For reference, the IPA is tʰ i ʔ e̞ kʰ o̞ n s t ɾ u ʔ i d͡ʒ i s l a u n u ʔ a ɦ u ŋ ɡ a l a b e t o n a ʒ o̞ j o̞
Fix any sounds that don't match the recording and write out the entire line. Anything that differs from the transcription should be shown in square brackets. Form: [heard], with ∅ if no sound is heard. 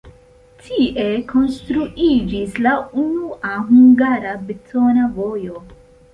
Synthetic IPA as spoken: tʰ i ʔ e̞ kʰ o̞ n s t ɾ u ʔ i d͡ʒ i s l a u n u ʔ a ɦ u ŋ ɡ a [ɾ] a b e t o n a [v] o̞ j o̞